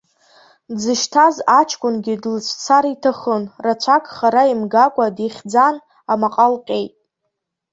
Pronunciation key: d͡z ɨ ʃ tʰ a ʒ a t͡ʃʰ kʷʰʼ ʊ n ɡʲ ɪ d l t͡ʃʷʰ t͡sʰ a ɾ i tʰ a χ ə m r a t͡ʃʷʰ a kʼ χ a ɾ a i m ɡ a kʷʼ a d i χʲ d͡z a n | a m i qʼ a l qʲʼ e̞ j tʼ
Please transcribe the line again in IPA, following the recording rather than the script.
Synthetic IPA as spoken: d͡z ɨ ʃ tʰ a z a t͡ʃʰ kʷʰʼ ʊ n ɡʲ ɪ d l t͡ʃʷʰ t͡sʰ a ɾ i tʰ a χ ə n r a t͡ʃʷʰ a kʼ χ a ɾ a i m ɡ a kʷʼ a d i χʲ d͡z a n | a m a qʼ a l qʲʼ e̞ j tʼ